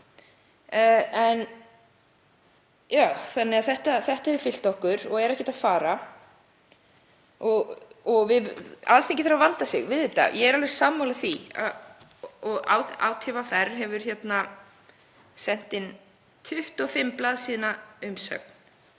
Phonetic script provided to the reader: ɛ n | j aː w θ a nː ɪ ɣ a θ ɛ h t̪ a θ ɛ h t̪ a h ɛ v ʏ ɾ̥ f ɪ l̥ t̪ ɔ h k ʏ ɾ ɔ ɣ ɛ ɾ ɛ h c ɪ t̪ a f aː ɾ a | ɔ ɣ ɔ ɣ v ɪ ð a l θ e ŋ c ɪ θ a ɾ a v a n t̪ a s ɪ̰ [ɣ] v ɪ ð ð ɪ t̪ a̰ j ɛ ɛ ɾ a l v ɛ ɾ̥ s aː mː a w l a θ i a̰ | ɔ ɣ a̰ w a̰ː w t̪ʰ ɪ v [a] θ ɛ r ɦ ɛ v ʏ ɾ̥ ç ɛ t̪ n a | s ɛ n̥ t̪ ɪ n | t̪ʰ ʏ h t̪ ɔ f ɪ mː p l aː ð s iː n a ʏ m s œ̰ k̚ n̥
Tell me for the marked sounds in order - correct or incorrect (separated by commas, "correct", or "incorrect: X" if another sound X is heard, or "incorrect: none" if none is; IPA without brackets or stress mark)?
correct, correct